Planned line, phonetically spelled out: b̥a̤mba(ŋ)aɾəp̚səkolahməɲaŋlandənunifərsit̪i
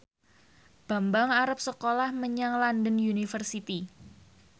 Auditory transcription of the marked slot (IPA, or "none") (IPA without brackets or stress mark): ŋ